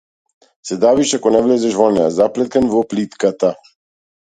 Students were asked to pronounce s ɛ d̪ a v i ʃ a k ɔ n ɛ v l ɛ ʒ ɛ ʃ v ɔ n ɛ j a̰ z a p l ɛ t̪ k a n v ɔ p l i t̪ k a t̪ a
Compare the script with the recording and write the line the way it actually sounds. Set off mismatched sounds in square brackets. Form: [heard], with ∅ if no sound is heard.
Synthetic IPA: s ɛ d̪ a v i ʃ a k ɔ n ɛ v l ɛ [z] ɛ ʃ v ɔ n ɛ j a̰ z a p l ɛ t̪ k a n v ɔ p l i t̪ k a t̪ a